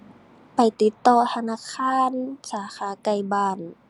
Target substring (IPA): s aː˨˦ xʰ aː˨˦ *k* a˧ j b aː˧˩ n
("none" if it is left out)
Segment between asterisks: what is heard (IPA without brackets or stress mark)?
k